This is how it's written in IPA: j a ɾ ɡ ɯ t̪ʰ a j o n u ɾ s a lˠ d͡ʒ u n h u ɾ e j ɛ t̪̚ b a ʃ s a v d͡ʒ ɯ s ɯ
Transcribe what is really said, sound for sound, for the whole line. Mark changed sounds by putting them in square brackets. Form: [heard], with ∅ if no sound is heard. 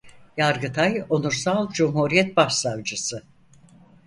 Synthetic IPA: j a ɾ ɡ ɯ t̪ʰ a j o n u ɾ s a lˠ d͡ʒ u [m] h u ɾ [i] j ɛ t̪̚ b a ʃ s a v d͡ʒ ɯ s ɯ